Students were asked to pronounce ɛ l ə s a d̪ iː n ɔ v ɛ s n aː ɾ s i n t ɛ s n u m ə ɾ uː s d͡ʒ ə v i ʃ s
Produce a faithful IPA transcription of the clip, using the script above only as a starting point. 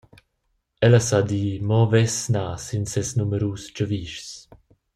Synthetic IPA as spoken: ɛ l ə s a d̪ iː m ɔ v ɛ s n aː s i n s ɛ s n u m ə ɾ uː s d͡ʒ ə v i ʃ s